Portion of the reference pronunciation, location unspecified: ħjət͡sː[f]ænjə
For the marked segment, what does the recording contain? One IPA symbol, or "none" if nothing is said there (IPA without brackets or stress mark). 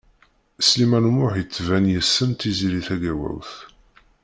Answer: v